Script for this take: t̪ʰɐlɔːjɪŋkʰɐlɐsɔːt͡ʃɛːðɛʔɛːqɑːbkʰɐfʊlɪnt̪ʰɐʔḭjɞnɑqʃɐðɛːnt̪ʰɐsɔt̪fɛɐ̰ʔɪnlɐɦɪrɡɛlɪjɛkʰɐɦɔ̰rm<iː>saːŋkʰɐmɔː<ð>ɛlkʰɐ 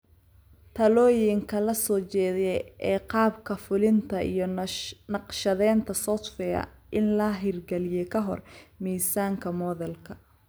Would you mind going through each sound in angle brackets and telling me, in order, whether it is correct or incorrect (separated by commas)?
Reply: correct, correct